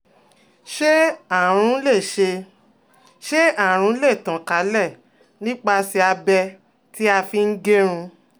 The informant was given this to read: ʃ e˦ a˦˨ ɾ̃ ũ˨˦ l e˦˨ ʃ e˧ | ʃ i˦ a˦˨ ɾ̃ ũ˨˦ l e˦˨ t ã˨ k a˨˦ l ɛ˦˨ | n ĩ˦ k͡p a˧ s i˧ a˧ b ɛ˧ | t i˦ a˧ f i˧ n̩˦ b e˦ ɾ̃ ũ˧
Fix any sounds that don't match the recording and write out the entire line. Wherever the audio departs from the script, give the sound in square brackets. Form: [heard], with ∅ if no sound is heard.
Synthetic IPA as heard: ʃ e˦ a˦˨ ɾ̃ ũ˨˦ l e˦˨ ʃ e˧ | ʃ [e˦] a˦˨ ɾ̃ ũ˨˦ l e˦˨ t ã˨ k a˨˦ l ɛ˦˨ | n ĩ˦ k͡p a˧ s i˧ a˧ b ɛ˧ | t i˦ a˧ f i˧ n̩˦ [ɡ] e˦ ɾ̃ ũ˧